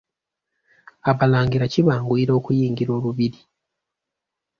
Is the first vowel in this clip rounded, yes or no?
no